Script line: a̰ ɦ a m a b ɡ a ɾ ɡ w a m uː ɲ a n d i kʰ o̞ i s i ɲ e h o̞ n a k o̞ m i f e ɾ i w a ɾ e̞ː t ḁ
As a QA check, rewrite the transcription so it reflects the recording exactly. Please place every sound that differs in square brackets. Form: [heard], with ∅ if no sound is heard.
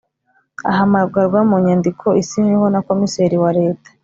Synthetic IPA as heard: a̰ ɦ a m a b ɡ a ɾ ɡ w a m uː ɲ a n d i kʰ o̞ i s i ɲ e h o̞ n a k o̞ m i [s] e ɾ i w a ɾ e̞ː t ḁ